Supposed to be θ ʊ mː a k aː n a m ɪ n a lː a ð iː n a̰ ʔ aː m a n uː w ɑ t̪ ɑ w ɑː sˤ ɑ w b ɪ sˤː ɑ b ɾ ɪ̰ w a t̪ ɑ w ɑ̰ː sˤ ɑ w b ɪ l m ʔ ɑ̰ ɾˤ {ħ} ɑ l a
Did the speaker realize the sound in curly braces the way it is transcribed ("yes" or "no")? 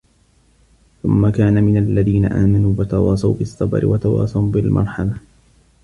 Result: yes